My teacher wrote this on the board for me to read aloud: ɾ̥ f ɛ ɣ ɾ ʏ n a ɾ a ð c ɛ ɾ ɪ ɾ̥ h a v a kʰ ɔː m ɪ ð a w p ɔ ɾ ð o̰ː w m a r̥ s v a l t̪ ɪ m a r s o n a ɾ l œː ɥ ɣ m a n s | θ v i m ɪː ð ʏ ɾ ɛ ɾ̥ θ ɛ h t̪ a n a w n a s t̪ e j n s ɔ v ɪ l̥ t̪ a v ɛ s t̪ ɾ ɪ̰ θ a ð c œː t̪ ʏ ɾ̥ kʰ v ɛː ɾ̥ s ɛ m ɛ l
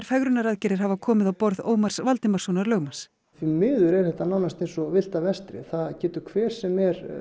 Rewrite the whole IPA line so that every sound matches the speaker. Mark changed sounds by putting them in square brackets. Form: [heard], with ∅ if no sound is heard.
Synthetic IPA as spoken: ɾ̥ f ɛ ɣ ɾ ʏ n a ɾ a ð c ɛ ɾ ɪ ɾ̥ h a v a kʰ ɔː m ɪ ð a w p ɔ ɾ ð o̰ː w m a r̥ s v a l t̪ ɪ m a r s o n a ɾ l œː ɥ ɣ m a n s | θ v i m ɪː ð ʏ ɾ ɛ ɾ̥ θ ɛ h t̪ a n a w n a s t̪ e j n s ɔ v ɪ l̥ t̪ a v ɛ s t̪ ɾ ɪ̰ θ a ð c [ɛː] t̪ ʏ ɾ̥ kʰ v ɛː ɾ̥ s ɛ m ɛ [ɾ]